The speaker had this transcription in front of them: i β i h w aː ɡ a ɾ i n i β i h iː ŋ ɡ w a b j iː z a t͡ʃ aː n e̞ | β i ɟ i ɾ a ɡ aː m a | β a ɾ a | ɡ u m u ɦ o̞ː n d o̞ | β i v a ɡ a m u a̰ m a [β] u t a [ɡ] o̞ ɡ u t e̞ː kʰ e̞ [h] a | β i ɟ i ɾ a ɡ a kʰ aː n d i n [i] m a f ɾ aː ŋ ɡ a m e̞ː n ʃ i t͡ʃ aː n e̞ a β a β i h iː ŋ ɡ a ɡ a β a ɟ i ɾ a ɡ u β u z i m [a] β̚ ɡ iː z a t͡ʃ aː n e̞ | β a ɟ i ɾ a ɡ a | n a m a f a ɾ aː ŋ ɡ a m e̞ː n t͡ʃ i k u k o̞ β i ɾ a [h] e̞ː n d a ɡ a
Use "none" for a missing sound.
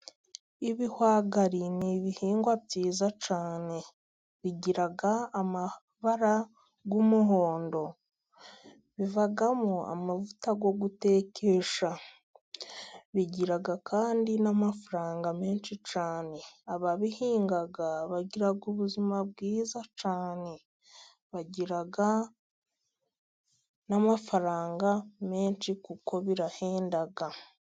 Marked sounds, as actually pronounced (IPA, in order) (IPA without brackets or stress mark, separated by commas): v, ɡ, ʃ, a, a, h